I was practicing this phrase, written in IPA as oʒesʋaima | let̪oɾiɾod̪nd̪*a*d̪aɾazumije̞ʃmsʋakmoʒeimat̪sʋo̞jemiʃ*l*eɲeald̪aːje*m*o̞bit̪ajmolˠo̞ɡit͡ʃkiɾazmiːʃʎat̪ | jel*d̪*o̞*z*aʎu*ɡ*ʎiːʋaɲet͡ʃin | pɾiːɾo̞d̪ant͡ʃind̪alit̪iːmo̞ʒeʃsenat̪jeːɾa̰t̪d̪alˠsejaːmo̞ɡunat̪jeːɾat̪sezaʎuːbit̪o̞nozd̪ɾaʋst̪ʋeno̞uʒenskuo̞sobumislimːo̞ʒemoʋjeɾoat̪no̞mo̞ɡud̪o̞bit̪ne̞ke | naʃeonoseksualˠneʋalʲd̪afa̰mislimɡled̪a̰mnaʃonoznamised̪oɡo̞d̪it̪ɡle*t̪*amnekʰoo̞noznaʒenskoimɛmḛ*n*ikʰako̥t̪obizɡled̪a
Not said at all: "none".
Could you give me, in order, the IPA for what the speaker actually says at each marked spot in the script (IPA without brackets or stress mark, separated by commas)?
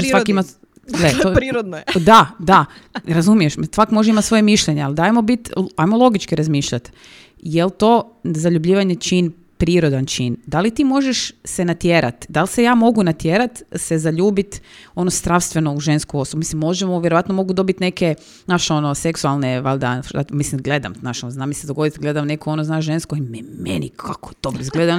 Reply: a, ʎ, m, t̪, z, b, d̪, n